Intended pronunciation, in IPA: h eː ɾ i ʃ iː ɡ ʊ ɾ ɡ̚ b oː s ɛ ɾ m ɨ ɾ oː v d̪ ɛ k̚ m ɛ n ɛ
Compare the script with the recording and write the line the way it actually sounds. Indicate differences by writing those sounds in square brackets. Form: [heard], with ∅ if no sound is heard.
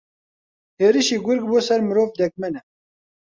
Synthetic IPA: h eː ɾ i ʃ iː ɡ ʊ ɾ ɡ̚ b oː s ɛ ɾ m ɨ ɾ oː v d̪ ɛ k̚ m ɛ n ɛ